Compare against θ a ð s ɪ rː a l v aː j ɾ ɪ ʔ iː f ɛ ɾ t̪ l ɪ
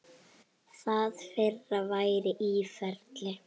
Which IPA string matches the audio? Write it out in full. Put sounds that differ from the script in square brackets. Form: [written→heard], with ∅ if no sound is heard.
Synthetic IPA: θ a ð [s→f] ɪ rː a [l→∅] v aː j ɾ ɪ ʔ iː f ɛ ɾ t̪ l ɪ

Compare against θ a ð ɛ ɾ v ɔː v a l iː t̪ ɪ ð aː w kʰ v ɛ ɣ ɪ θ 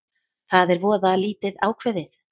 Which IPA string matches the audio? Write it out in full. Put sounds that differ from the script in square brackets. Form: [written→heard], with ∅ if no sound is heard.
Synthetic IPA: θ a ð ɛ ɾ v ɔː [v→ð] a l iː t̪ ɪ ð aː w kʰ v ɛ [ɣ→ð] ɪ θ

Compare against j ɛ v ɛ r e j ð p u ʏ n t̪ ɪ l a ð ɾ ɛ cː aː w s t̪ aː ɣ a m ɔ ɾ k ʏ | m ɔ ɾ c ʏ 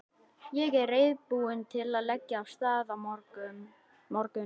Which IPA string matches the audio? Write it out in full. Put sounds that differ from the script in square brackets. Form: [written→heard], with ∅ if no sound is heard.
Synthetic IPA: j ɛ [v→ɣ] ɛ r e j ð p u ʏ n [t̪→t̪ʰ] ɪ l a ð [ɾ→l] ɛ cː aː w s t̪ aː [ɣ→ð] a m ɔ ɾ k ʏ | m ɔ ɾ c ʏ

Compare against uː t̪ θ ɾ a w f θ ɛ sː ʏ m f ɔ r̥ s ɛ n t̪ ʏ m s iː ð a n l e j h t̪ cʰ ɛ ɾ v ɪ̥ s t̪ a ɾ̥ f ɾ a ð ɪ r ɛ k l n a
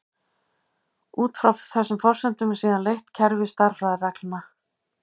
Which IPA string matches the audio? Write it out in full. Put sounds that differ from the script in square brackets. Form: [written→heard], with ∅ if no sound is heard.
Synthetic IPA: uː t̪ [θ→f] ɾ a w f θ ɛ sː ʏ m f ɔ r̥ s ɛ n t̪ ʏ m s iː ð a n l e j h t̪ cʰ ɛ ɾ v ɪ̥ s t̪ a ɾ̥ f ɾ a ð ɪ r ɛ k l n a

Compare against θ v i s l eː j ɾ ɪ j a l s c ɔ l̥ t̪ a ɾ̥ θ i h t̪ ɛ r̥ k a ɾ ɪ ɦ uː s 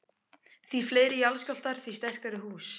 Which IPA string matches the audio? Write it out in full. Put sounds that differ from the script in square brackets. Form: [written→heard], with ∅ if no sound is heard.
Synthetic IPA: θ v i [s→f] l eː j ɾ ɪ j a l s c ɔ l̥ t̪ a ɾ̥ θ i [h→s] t̪ ɛ r̥ k a ɾ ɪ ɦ uː s

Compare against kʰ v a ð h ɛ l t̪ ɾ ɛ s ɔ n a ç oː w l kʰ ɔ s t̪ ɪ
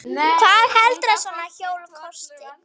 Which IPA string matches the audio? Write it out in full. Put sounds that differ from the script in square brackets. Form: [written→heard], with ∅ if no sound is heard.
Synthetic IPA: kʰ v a ð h ɛ l t̪ ɾ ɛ s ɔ n a ç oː w l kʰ ɔ s t̪ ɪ

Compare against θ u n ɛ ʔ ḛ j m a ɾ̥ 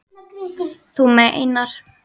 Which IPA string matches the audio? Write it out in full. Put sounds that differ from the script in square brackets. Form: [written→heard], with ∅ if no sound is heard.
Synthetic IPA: θ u [n→m] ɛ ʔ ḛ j [m→n] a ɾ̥

